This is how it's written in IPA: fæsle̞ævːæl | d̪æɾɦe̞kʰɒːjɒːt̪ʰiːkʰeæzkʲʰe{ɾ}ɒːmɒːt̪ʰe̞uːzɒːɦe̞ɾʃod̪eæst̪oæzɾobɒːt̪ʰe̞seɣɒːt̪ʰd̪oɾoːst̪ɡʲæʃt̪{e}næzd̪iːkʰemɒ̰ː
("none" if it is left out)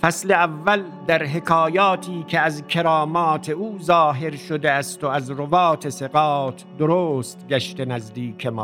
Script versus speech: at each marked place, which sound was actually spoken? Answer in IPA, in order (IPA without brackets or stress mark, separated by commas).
ɾ, e